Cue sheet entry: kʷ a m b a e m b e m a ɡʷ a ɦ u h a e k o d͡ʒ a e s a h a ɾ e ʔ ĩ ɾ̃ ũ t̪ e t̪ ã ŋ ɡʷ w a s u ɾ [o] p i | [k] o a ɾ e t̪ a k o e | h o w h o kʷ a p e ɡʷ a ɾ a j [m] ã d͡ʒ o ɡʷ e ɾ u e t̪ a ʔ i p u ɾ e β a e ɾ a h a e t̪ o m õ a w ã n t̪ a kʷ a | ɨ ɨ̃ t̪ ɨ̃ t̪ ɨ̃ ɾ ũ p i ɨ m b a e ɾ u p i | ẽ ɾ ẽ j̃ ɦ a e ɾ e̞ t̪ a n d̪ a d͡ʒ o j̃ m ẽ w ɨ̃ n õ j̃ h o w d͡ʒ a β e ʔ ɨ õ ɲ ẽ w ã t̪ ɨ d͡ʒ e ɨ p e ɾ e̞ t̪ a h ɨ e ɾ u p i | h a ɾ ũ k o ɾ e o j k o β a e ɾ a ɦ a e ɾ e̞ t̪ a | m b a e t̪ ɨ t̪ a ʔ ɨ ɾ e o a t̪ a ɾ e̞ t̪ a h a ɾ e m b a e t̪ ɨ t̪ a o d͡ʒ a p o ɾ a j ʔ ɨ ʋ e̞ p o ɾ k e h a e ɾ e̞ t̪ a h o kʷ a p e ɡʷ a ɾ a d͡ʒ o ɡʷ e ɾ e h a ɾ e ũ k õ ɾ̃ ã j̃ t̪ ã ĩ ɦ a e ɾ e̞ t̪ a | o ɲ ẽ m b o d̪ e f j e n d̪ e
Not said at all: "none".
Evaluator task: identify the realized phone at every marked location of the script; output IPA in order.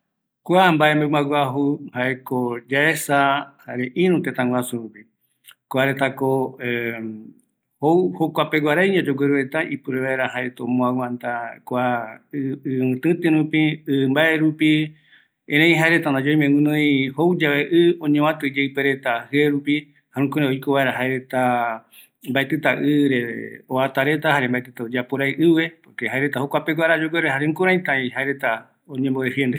u, k, ɲ

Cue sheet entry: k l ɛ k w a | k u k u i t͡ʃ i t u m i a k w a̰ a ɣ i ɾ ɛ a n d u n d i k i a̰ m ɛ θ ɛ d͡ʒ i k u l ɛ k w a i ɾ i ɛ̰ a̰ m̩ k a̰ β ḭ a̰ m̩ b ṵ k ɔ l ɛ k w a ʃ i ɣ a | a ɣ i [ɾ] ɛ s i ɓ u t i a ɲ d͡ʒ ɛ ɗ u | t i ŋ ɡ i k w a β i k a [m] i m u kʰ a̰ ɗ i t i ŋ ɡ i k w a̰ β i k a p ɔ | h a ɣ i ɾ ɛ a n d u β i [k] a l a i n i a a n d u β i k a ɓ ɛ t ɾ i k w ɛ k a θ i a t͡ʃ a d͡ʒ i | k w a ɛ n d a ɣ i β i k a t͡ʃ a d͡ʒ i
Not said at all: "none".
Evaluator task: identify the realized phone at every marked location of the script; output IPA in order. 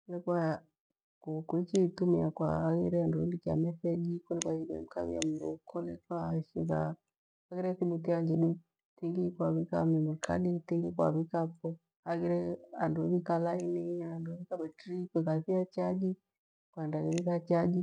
ɾ, m, k

